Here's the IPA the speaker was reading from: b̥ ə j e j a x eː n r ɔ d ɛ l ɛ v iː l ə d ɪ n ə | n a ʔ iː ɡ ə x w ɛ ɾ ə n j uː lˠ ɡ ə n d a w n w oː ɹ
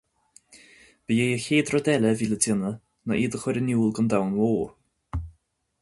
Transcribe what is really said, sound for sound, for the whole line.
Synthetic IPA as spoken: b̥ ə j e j ə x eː d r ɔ d ɛ l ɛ v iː l ə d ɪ n ə | n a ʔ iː d ə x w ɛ ɾ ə n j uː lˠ ɡ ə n d a w n w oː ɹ